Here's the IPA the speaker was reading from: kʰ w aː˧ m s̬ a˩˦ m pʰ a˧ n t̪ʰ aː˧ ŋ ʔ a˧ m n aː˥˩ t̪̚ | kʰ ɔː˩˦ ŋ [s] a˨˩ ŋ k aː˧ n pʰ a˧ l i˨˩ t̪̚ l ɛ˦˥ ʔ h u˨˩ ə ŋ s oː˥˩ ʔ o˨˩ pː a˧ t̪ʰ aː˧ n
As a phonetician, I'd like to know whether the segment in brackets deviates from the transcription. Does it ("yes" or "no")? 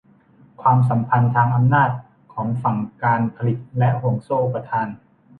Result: yes